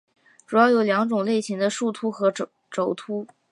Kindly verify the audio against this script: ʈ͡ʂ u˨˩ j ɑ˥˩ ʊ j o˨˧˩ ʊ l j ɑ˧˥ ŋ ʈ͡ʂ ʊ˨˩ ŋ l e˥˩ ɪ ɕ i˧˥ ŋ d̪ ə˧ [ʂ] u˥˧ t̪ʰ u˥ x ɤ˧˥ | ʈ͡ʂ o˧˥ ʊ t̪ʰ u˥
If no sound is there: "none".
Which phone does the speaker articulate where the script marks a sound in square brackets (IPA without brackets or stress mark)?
ʂ